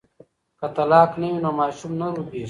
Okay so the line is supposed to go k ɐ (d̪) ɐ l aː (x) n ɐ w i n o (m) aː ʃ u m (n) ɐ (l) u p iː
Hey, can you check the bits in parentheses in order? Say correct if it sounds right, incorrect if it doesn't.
incorrect: t̪, incorrect: k, correct, correct, incorrect: ɾ

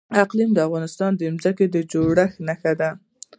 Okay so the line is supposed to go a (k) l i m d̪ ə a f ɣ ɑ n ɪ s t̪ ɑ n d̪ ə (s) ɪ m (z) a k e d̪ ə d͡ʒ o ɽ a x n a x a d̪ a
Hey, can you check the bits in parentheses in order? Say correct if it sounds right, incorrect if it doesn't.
incorrect: q, incorrect: none, correct

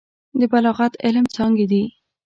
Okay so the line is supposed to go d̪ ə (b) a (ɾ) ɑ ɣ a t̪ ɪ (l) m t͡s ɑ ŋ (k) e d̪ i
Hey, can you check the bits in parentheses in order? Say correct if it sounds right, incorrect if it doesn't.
correct, incorrect: l, correct, incorrect: ɡ

